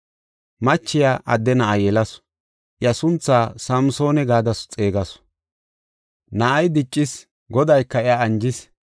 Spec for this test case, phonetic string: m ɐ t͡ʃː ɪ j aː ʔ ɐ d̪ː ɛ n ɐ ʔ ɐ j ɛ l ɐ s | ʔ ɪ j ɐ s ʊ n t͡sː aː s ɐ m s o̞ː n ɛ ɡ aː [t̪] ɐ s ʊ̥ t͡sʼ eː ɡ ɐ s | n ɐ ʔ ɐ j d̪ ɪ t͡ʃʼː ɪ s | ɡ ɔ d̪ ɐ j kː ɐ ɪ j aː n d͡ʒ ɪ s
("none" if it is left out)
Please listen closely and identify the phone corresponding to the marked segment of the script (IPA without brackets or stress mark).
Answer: d̪